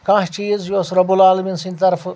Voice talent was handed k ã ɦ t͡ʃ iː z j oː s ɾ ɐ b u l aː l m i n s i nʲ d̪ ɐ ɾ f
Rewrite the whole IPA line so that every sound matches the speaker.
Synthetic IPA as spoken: k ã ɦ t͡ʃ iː z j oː s ɾ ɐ b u l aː l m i n s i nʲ t̪ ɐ ɾ f